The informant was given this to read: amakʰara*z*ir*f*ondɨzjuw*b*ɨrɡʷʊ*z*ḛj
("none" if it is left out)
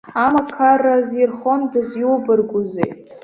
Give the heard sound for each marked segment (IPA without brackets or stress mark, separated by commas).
z, χ, b, z